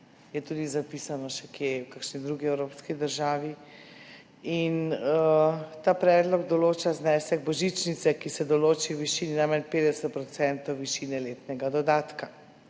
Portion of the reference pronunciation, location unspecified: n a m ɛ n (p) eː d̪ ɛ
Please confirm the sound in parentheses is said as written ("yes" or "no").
yes